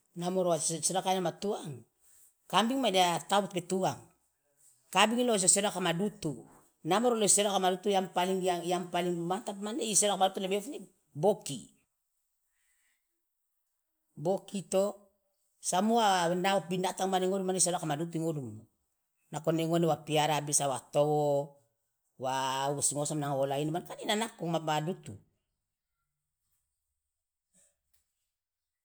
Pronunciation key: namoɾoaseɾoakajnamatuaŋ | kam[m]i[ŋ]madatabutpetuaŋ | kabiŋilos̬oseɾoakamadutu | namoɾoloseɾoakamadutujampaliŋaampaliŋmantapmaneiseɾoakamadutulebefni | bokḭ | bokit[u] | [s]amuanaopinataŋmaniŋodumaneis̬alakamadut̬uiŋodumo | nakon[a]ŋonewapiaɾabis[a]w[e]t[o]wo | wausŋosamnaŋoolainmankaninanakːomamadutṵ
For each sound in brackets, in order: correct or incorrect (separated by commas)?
incorrect, correct, incorrect, correct, incorrect, correct, incorrect, correct